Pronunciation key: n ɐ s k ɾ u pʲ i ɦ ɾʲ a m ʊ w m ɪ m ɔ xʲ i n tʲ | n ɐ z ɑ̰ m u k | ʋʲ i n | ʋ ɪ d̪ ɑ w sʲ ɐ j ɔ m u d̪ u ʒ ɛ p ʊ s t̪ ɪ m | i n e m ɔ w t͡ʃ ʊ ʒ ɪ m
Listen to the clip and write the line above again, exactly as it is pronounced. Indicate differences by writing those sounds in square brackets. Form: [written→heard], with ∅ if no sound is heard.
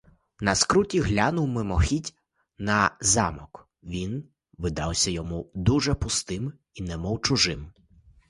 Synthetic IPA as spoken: n ɐ s k ɾ u [pʲ→tʲ] i ɦ [ɾʲ→lʲ] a [m→n] ʊ w m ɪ m ɔ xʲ i [n→∅] tʲ | n ɐ z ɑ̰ m [u→ɔ] k | ʋʲ i n | ʋ ɪ d̪ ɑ w sʲ ɐ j ɔ m u d̪ u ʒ ɛ p ʊ s t̪ ɪ m | i n [e→ɛ] m ɔ w t͡ʃ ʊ ʒ ɪ m